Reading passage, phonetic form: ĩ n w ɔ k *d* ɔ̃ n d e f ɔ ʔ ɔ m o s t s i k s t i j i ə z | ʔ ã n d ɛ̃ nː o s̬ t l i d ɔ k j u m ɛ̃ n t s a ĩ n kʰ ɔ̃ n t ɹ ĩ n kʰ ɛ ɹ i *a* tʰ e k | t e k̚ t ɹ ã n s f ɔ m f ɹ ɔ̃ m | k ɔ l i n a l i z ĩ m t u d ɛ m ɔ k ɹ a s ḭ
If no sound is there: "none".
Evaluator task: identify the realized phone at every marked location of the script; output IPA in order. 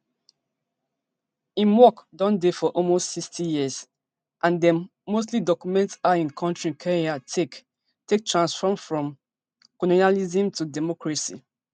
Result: d, a

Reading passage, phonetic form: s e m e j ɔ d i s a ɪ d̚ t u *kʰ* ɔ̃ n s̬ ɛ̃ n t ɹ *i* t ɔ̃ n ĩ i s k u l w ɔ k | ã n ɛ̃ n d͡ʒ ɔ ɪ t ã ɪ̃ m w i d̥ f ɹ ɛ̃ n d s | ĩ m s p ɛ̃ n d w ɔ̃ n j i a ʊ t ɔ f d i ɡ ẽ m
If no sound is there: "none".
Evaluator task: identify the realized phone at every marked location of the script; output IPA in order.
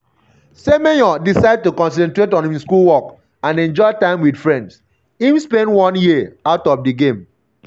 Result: k, e

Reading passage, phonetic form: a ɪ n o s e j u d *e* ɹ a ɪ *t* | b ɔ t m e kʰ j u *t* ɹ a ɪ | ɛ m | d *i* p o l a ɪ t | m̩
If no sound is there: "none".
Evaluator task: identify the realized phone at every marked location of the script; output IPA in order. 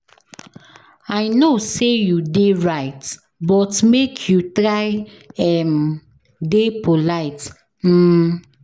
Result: e, t, t, e

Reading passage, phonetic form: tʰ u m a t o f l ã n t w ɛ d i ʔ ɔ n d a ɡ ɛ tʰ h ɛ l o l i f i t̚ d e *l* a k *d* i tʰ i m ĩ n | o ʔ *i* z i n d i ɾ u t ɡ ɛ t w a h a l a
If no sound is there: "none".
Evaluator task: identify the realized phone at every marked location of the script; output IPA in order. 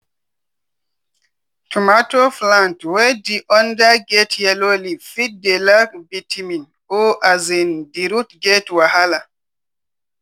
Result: l, b, a

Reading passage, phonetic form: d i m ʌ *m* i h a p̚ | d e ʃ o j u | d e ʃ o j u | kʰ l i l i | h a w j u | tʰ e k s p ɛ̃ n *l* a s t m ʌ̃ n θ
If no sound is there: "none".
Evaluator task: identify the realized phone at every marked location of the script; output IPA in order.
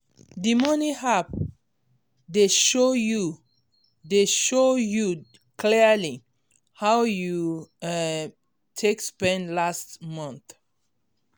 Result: n, l

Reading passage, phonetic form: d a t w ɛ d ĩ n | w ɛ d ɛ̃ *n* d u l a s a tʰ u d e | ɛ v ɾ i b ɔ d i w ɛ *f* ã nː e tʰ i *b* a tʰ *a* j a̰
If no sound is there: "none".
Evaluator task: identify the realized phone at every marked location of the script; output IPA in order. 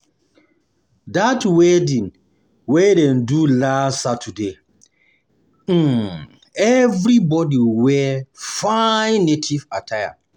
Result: n, f, v, a

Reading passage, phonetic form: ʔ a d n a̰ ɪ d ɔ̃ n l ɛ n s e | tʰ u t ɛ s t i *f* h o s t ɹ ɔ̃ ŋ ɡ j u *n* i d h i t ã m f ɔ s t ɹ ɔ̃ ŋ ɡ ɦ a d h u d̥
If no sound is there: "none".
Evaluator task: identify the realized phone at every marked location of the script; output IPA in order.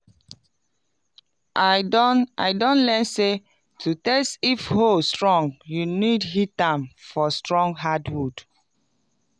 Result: f, n

